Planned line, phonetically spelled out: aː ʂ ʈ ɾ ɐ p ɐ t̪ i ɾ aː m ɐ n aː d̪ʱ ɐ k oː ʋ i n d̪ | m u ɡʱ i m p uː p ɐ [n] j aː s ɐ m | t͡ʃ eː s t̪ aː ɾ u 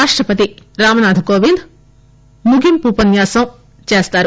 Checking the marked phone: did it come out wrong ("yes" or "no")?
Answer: no